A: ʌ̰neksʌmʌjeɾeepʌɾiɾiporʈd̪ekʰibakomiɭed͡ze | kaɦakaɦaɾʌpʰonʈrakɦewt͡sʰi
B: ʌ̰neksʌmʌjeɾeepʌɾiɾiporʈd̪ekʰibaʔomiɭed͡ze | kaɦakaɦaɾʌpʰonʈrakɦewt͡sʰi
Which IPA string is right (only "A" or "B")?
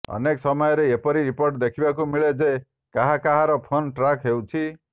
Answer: A